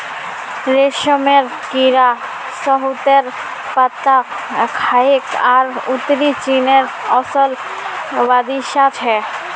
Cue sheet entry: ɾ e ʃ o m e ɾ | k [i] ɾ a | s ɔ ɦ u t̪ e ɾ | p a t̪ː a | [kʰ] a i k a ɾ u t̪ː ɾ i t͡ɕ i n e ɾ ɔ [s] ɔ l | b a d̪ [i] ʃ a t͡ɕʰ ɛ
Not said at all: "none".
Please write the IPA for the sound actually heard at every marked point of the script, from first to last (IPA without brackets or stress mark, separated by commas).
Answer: i, kʰ, s, i